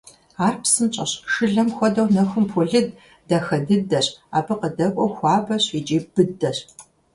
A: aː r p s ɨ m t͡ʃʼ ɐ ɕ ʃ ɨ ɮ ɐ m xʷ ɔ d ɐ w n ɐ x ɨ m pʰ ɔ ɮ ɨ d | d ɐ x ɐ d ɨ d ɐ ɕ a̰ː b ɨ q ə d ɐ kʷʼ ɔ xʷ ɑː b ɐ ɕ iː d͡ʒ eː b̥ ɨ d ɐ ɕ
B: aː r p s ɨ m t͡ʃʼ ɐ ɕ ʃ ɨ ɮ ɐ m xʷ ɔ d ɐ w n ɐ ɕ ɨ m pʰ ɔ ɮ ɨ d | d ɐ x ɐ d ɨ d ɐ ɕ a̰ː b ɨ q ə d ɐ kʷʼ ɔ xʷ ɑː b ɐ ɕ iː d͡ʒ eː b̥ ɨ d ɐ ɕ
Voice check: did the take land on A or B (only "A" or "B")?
A